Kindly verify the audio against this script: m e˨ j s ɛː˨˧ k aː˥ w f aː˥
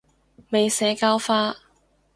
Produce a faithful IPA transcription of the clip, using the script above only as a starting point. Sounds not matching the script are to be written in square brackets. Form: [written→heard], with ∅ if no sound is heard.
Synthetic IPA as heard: m e˨ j s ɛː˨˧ k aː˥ w f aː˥

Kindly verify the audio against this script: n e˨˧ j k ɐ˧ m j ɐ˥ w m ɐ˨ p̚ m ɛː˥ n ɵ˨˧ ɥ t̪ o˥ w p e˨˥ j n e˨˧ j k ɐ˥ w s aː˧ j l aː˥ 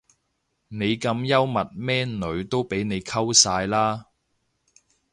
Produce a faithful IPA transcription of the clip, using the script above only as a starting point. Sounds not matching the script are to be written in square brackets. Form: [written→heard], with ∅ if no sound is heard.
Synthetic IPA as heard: n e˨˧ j k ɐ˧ m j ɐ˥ w m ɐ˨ [p̚→t̚] m ɛː˥ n ɵ˨˧ ɥ t̪ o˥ w p e˨˥ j n e˨˧ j [k→kʰ] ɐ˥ w s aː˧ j l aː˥

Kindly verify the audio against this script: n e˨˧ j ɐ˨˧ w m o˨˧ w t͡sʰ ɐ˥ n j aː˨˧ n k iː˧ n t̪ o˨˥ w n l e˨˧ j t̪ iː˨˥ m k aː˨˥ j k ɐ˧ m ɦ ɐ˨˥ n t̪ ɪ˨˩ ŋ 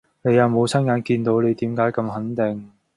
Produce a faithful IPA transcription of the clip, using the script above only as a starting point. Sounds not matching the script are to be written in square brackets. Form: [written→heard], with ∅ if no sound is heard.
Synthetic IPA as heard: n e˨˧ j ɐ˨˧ w m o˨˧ w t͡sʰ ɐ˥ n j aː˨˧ n k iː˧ n t̪ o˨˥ w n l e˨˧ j t̪ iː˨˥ m k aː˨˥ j k ɐ˧ m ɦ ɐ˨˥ n t̪ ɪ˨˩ ŋ

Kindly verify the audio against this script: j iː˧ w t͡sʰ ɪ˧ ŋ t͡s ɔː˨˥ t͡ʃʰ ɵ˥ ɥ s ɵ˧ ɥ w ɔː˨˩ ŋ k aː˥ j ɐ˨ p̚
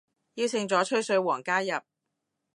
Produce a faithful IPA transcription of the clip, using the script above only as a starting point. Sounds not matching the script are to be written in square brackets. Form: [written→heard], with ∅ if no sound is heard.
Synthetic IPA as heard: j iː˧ w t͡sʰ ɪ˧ ŋ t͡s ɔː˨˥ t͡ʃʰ ɵ˥ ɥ s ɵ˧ ɥ w ɔː˨˩ ŋ k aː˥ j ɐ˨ p̚

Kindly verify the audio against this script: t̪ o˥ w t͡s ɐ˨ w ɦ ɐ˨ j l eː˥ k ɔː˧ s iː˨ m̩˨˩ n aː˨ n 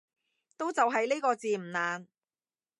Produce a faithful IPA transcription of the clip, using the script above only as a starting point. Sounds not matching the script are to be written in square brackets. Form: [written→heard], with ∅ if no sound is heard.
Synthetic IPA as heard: t̪ o˥ w t͡s ɐ˨ w ɦ ɐ˨ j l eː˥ k ɔː˧ [s→t͡s] iː˨ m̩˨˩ n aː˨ n

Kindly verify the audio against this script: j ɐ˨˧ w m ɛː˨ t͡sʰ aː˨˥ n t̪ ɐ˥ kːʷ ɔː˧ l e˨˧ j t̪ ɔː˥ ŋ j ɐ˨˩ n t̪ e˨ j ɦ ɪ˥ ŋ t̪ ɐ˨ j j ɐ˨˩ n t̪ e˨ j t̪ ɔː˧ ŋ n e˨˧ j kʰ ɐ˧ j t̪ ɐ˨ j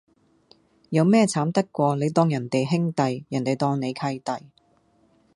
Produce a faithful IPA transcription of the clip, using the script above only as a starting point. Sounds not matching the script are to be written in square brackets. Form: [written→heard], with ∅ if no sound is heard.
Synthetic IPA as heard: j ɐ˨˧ w m [ɛː˨→ɛː˥] t͡sʰ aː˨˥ [n→m] t̪ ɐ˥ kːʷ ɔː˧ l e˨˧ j t̪ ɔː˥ ŋ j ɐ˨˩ n t̪ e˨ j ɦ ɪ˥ ŋ t̪ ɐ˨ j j ɐ˨˩ n t̪ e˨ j t̪ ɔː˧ ŋ n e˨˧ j kʰ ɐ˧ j t̪ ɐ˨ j

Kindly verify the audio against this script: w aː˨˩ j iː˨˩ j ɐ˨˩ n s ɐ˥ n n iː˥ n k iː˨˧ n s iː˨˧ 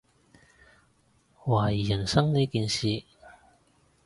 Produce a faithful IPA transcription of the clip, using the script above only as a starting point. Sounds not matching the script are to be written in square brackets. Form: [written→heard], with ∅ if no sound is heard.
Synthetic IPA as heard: w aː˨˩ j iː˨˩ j ɐ˨˩ n s ɐ˥ [n→ŋ] n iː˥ [n→∅] k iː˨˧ n s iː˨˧

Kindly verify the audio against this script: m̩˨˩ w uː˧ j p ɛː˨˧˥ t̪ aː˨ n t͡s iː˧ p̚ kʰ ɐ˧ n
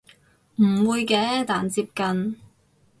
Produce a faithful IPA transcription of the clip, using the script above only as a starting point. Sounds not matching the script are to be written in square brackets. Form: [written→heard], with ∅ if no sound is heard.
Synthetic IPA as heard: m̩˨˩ w uː˧ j [p→k] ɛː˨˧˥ t̪ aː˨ n t͡s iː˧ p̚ [kʰ→k] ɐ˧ n

